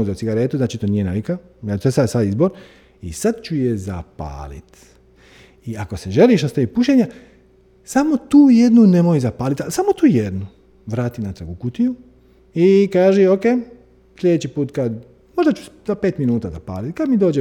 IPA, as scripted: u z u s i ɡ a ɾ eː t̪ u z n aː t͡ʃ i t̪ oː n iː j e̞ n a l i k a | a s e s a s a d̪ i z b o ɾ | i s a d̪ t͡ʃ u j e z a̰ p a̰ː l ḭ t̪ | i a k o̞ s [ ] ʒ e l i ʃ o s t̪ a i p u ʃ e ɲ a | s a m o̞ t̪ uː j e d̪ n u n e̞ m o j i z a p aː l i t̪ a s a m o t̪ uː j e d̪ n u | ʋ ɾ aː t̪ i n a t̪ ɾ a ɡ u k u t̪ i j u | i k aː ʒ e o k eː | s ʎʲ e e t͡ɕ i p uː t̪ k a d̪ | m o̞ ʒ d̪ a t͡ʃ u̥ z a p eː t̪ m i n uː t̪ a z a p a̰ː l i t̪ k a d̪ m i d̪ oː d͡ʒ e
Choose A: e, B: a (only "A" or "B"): A